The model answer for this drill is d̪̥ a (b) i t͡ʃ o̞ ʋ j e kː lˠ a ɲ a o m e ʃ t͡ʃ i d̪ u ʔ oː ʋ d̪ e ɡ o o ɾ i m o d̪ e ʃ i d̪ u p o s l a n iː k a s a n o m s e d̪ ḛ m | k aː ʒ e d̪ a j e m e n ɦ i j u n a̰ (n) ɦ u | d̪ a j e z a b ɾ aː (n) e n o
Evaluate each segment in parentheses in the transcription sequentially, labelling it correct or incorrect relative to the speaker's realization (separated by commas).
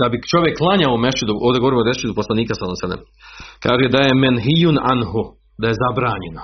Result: correct, correct, incorrect